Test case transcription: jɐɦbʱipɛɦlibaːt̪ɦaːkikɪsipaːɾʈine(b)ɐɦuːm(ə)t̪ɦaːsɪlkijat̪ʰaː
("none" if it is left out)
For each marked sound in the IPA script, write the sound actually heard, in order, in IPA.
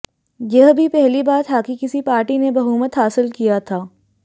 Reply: b, ə

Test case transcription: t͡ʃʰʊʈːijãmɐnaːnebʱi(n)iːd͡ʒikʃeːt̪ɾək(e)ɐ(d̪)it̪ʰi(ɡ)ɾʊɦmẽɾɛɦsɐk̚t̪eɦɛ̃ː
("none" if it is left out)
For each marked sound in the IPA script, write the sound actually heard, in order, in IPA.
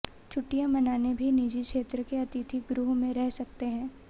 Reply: n, e, t̪, ɡ

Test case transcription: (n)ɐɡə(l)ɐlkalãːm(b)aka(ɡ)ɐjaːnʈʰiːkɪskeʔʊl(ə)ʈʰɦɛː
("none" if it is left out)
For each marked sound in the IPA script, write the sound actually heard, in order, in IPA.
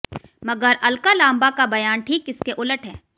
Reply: m, ɾ, b, b, ə

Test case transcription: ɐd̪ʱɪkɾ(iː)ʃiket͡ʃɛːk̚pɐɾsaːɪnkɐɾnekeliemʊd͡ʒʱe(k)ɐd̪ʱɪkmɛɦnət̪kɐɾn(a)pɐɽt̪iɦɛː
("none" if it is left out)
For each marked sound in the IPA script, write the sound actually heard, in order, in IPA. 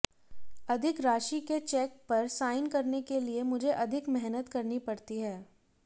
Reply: aː, ʔ, i

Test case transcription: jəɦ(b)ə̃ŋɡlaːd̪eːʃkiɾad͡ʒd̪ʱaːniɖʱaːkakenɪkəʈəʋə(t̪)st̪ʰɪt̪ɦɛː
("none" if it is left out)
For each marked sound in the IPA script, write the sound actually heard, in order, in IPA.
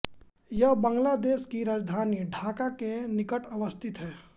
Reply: b, none

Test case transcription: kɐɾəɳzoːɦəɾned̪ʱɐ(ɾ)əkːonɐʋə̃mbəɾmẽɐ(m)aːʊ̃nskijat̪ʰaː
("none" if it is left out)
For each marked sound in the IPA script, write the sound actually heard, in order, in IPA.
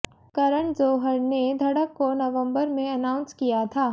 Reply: ɽ, n

